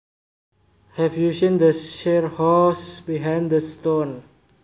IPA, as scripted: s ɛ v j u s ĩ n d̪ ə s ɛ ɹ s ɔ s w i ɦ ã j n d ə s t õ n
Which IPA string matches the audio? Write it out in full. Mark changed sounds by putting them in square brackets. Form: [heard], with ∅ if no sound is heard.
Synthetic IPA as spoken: [h] ɛ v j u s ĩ n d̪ ə [ʃ] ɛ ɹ [h] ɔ s [b] i ɦ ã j n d ə s t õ n